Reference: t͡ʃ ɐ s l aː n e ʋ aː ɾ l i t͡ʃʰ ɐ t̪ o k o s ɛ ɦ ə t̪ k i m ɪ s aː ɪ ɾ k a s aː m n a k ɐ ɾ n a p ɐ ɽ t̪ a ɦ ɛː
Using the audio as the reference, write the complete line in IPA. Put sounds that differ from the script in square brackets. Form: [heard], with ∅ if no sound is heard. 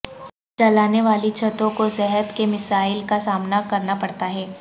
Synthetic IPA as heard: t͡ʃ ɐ [∅] l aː n e ʋ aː [∅] l i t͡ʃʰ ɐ t̪ [õ] k o s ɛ ɦ ə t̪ k [e] m ɪ s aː ɪ [l] k a s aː m n a k ɐ ɾ n a p ɐ ɽ t̪ a ɦ ɛː